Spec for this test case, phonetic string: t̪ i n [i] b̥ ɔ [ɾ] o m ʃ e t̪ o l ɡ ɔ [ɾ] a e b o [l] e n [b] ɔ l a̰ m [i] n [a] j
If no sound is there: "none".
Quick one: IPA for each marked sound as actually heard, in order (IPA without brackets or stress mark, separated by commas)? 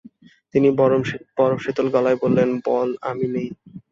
i, ɾ, l, lː, b, i, e